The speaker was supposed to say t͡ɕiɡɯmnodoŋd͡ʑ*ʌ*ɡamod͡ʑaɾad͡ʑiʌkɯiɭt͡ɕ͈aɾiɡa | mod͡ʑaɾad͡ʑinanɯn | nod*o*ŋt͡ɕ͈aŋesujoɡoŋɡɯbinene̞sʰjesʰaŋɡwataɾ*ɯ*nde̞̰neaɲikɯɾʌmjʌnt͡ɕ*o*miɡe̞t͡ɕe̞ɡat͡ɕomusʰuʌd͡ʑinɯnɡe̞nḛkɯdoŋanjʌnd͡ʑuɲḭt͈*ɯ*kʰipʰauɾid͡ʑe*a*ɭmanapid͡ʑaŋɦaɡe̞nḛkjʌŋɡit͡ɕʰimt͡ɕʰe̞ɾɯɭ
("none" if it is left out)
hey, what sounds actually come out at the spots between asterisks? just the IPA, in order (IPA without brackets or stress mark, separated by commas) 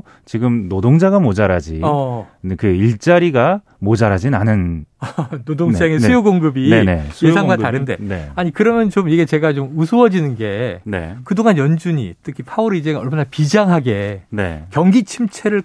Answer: a, o, ɯ, o, ɯ, ʌ